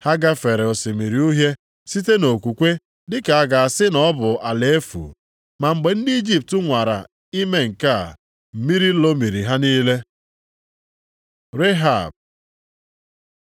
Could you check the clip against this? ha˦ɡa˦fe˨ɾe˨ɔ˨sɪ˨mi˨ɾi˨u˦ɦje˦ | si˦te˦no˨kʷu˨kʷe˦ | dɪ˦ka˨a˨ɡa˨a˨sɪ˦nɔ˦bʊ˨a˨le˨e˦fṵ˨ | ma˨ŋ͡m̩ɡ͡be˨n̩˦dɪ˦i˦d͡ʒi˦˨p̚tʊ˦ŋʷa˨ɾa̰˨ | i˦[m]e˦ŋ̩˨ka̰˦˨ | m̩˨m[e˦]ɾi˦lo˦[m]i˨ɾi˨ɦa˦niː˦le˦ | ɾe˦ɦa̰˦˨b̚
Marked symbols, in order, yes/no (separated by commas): yes, no, yes